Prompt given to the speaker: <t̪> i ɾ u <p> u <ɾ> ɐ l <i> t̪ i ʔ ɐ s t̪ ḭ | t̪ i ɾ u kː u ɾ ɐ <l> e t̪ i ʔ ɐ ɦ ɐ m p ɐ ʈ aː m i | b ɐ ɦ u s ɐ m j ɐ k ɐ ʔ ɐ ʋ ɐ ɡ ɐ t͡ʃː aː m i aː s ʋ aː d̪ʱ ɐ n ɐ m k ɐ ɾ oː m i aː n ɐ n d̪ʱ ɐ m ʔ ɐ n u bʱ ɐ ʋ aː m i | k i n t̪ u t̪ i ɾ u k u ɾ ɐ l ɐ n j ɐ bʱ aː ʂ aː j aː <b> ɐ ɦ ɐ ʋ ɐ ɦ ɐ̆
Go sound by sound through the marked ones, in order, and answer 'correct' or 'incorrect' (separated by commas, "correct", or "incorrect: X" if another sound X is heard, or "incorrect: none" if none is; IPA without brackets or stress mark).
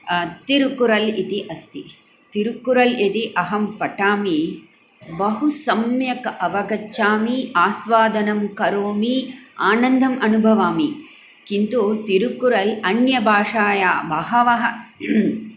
correct, incorrect: k, correct, correct, correct, correct